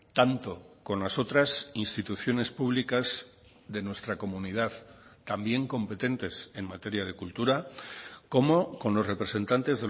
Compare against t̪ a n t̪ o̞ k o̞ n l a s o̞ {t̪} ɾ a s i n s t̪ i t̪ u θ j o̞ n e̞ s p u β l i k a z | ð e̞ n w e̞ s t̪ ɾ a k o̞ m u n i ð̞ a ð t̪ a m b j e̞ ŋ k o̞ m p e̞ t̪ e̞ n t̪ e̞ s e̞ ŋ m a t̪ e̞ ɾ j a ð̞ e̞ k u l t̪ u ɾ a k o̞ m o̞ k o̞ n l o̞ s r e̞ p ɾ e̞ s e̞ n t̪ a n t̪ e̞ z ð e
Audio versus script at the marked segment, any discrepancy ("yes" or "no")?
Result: no